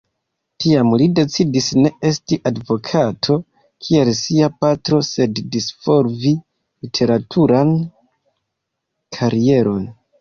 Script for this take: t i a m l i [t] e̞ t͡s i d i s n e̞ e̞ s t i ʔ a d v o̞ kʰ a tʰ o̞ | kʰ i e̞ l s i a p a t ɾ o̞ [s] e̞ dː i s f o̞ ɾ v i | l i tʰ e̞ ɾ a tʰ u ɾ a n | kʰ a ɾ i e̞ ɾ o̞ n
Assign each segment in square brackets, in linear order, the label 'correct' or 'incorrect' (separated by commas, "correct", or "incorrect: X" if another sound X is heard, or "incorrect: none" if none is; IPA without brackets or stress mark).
incorrect: d, correct